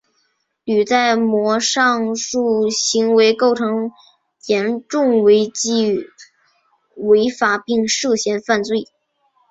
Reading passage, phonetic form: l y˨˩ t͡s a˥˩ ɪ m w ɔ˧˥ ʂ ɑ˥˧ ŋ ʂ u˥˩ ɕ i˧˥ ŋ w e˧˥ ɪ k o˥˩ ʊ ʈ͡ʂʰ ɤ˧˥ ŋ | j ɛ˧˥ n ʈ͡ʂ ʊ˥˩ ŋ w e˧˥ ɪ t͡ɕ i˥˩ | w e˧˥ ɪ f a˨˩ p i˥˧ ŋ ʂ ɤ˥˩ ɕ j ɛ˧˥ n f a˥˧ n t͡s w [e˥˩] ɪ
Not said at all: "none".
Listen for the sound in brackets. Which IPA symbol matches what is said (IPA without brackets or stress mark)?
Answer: e˥˩